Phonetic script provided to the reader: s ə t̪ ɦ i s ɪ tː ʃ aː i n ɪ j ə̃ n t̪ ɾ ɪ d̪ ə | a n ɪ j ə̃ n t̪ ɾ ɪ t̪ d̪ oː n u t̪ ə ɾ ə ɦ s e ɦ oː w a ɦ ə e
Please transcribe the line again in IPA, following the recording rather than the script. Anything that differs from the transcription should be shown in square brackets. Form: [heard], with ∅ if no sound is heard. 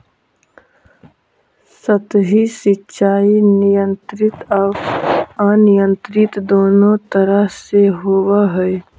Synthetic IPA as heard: s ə t̪ ɦ i s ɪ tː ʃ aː i n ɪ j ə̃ n t̪ ɾ ɪ [t̪] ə | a n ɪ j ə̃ n t̪ ɾ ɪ t̪ d̪ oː n [o] t̪ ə ɾ ə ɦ s e ɦ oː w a ɦ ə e

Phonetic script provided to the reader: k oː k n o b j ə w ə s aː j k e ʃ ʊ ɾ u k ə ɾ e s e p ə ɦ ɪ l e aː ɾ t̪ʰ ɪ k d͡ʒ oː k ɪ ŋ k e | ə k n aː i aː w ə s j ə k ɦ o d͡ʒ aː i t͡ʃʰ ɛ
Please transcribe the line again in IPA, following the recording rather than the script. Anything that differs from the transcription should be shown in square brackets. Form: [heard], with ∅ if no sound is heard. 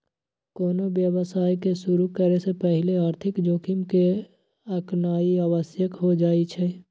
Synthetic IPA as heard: k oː [∅] n o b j ə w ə s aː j k e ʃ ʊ ɾ u k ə ɾ e s e p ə ɦ ɪ l e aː ɾ t̪ʰ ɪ k d͡ʒ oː k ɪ [m] k e | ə k n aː i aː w ə s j ə k ɦ o d͡ʒ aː i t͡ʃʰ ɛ

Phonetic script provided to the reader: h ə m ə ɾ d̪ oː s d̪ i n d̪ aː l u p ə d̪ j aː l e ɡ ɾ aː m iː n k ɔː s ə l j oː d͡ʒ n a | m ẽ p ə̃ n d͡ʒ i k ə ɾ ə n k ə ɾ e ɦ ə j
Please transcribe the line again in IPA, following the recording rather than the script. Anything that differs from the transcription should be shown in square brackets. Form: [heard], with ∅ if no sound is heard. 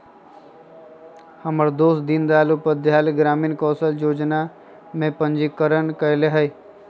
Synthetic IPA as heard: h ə m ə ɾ d̪ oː s d̪ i n d̪ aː l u p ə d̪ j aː l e ɡ ɾ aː m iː n k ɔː s ə l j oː d͡ʒ n a | m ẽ p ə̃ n d͡ʒ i k ə ɾ ə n k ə [l] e ɦ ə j

